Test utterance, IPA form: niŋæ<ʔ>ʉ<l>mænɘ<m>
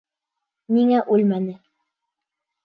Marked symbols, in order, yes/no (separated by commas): yes, yes, no